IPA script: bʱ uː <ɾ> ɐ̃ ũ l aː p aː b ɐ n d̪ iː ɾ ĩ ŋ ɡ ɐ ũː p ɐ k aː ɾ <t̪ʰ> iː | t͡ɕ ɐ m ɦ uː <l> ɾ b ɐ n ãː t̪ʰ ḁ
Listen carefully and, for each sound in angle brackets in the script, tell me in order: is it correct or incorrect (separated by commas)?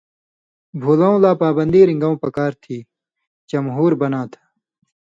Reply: incorrect, correct, incorrect